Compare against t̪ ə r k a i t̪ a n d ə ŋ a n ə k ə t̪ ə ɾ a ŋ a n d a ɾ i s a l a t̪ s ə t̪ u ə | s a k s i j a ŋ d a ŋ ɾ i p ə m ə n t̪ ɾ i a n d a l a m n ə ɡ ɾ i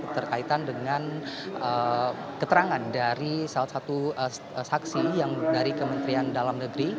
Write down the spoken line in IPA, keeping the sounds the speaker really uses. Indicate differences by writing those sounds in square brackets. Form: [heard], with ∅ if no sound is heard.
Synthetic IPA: t̪ ə r k a i t̪ a n d ə ŋ a n ə k ə t̪ ə ɾ a ŋ a n d a ɾ i s a l a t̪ s [a] t̪ u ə | s a k s i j a ŋ d a [∅] ɾ i [k] ə m ə n t̪ ɾ i a n d a l a m n ə ɡ ɾ i